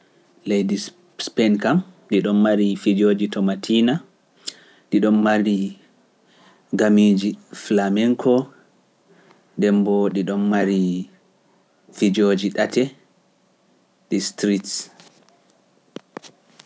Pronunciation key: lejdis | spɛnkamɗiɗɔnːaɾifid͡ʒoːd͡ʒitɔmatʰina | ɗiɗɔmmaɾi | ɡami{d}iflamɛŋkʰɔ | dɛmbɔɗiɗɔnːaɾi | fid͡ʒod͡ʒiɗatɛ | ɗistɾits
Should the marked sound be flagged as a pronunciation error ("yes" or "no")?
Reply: yes